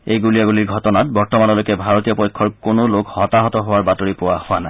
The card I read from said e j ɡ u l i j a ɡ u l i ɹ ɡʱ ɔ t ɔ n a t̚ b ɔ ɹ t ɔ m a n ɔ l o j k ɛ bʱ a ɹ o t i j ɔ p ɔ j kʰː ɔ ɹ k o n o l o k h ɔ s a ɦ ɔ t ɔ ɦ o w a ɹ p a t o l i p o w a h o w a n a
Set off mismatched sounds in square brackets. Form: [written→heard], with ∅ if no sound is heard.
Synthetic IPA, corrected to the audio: e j ɡ u l i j a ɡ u l i ɹ ɡʱ ɔ t ɔ n a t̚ b ɔ ɹ t ɔ m a n ɔ l o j k ɛ bʱ a ɹ o t i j ɔ p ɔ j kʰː ɔ ɹ k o n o l o k h ɔ [s→t] a ɦ ɔ t ɔ ɦ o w a ɹ [p→b] a t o [l→ɹ] i p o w a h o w a n a